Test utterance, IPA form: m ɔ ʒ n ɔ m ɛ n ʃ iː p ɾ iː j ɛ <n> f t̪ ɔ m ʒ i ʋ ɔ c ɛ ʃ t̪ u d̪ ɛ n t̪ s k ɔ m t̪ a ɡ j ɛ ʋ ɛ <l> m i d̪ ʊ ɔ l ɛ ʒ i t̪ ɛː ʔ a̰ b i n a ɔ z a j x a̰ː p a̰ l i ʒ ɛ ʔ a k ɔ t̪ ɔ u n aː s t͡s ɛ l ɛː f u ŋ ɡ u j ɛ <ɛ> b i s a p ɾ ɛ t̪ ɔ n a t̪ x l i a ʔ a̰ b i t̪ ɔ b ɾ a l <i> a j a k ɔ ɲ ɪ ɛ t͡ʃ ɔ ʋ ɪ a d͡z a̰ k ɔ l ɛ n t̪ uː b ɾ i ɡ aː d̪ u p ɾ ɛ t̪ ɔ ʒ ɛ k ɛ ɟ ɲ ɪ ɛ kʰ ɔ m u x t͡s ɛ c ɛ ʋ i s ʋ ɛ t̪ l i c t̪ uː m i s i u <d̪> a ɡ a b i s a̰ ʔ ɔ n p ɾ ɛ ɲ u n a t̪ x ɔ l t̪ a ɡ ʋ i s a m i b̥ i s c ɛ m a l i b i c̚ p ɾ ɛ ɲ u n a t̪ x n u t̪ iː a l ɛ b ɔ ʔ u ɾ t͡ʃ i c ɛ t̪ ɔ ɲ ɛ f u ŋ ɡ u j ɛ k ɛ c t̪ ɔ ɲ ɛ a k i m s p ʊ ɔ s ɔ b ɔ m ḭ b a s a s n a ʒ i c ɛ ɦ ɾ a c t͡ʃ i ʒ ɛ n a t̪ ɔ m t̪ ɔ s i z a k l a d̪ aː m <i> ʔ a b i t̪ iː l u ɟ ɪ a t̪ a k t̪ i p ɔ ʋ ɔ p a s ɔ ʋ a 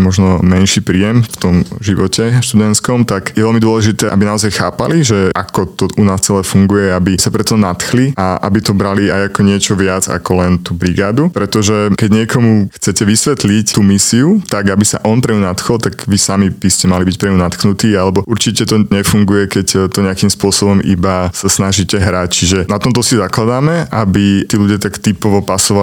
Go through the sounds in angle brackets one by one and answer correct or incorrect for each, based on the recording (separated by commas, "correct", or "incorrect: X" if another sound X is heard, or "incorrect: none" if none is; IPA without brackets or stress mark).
incorrect: m, correct, incorrect: a, correct, incorrect: t̪, incorrect: ɛ